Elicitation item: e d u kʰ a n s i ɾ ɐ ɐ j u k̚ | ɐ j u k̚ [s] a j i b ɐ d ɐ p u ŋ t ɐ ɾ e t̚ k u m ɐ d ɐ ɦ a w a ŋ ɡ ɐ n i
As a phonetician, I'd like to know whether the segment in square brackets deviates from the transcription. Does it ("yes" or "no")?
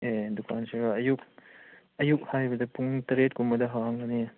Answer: yes